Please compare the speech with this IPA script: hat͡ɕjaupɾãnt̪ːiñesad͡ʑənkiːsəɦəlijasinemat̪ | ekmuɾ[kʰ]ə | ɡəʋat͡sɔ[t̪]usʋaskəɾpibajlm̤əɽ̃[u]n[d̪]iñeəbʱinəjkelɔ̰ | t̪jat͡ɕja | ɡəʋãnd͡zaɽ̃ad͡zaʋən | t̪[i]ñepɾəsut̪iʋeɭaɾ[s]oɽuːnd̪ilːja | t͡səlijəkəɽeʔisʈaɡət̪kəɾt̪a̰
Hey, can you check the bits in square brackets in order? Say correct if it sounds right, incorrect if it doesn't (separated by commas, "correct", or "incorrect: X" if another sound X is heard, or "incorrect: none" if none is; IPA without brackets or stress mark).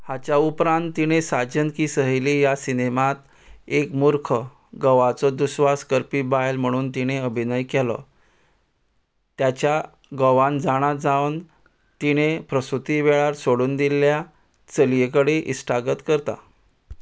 correct, incorrect: d̪, incorrect: uː, incorrect: t̪, correct, correct